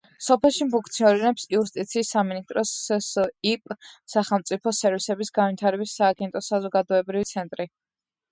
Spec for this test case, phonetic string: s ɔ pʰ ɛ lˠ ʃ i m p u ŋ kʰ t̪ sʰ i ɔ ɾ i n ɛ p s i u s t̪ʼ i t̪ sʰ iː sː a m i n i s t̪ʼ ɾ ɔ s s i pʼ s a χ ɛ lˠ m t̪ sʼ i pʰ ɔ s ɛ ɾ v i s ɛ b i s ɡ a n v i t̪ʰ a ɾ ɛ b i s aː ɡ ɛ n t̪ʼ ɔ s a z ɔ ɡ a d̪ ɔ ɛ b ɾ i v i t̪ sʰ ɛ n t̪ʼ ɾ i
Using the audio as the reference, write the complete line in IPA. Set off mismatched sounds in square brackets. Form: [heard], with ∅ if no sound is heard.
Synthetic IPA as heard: s ɔ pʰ ɛ lˠ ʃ i m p u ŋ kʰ t̪ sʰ i ɔ ɾ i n ɛ p s i u s t̪ʼ i t̪ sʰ iː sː a m i n i s t̪ʼ ɾ ɔ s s i pʼ s a χ ɛ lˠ m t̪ sʼ i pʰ ɔ s ɛ ɾ v i s ɛ b i s ɡ a n v i t̪ʰ a ɾ ɛ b i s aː ɡ ɛ n t̪ʼ ɔ s a z ɔ ɡ a d̪ ɔ ɛ b ɾ i v i t̪ sʰ ɛ n t̪ʼ ɾ i